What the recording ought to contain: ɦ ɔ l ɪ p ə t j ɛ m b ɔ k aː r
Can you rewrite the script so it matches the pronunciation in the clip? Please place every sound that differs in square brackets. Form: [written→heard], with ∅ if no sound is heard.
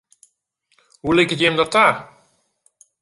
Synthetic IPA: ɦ [ɔ→u] l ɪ [p→k] ə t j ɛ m [b→d] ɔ [k→t] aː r